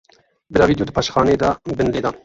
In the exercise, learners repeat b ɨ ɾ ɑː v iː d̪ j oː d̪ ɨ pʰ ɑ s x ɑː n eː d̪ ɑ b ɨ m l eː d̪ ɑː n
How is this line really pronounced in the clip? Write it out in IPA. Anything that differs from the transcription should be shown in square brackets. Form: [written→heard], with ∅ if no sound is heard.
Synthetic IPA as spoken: b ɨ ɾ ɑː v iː d̪ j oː d̪ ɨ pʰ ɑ [s→ʃ] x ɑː n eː d̪ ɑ b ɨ [m→n] l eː d̪ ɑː n